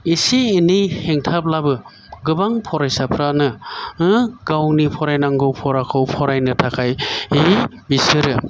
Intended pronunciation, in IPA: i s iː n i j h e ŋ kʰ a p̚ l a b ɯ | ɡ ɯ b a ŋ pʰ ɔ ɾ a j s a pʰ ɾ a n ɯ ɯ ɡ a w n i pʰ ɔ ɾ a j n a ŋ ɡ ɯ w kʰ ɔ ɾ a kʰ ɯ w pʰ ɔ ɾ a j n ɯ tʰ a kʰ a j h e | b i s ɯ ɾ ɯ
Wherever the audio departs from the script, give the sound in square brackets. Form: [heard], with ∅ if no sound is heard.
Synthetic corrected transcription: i s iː n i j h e ŋ [tʰ] a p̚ l a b ɯ | ɡ ɯ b a ŋ pʰ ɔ ɾ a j s a pʰ ɾ a n ɯ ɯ ɡ a w n i pʰ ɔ ɾ a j n a ŋ ɡ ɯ w [pʰ] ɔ ɾ a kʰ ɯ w pʰ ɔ ɾ a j n ɯ tʰ a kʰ a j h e | b i s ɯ ɾ ɯ